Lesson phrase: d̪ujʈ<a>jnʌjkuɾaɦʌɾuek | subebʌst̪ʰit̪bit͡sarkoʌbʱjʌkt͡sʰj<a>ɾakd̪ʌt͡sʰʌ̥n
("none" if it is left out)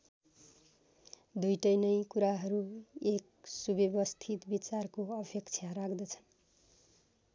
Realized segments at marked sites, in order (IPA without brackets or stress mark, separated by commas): ʌ, a